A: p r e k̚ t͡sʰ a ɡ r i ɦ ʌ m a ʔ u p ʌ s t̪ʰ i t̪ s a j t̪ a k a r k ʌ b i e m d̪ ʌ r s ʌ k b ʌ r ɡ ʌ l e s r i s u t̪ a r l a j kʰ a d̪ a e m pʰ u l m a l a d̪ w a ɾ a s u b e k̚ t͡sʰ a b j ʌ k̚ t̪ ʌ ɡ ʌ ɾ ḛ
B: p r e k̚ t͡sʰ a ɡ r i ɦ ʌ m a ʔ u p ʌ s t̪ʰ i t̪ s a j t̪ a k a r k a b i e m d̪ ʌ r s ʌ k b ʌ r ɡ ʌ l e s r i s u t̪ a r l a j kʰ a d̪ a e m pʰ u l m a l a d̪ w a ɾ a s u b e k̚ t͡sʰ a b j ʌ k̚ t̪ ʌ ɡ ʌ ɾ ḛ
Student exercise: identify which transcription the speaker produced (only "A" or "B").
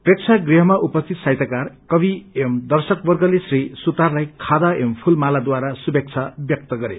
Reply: A